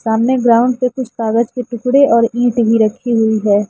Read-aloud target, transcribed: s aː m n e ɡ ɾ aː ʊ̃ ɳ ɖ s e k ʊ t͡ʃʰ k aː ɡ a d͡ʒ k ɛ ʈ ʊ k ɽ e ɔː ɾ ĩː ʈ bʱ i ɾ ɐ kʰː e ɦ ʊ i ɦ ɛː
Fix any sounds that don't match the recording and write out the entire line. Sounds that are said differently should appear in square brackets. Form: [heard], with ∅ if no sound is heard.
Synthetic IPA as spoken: s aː m n e ɡ ɾ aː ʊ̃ ɳ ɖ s e k ʊ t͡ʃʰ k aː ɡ [ə] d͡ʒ k [e] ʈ ʊ k ɽ e ɔː ɾ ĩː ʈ bʱ i ɾ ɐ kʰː [i] ɦ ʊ i ɦ ɛː